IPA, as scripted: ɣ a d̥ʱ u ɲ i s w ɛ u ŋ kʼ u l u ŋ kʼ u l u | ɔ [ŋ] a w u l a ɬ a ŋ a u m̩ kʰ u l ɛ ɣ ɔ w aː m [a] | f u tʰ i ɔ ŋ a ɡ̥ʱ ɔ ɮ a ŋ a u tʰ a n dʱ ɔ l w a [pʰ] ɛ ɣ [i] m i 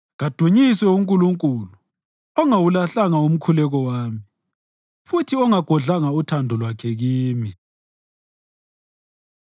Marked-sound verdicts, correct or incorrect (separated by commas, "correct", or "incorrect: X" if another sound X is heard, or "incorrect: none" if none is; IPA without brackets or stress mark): correct, incorrect: i, incorrect: kʰ, incorrect: iː